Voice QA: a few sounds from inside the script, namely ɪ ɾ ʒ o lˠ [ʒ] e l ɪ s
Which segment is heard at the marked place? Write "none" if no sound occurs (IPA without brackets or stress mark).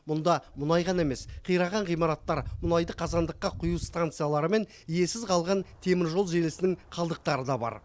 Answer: ʒ